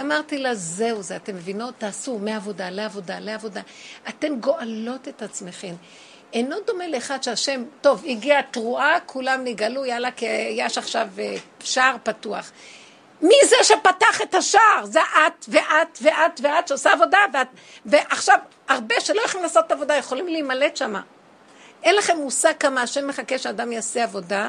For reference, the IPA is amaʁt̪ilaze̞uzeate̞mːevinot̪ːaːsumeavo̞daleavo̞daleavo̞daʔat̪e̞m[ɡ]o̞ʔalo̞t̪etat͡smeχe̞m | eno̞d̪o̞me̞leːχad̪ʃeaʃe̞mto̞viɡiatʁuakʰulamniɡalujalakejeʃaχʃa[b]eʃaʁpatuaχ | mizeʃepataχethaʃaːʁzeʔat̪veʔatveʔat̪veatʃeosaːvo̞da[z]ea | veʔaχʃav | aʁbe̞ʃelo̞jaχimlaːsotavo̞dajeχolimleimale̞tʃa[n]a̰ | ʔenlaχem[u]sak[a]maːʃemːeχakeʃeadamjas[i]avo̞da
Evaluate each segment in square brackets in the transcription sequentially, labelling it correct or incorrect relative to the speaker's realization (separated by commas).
correct, incorrect, incorrect, incorrect, correct, correct, incorrect